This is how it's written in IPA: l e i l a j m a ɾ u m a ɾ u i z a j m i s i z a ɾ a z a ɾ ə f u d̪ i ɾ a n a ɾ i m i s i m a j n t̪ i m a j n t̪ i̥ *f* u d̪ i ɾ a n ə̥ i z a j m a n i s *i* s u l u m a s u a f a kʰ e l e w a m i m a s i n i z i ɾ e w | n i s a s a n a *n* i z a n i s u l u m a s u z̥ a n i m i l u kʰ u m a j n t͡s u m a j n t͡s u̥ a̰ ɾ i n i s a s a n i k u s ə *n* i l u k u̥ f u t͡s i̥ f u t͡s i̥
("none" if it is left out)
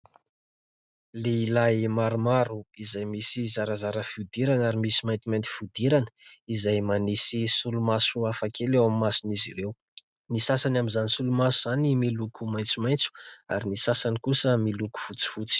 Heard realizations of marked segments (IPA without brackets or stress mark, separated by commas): f, i, m, m